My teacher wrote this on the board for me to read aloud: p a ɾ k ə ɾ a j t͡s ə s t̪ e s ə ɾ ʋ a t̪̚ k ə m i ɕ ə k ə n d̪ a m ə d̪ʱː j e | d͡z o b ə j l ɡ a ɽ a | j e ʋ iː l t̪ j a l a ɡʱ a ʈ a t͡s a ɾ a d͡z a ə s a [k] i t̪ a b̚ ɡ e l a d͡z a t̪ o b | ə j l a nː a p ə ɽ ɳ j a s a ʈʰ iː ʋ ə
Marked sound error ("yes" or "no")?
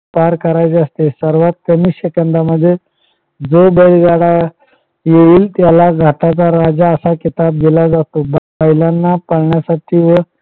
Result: no